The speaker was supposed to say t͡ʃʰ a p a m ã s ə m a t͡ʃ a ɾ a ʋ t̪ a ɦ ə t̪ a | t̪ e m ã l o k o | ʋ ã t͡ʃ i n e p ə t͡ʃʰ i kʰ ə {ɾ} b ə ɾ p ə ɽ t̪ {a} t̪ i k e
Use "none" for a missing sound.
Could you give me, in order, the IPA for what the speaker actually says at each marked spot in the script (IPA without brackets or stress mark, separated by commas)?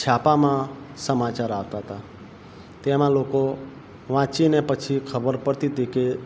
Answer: none, i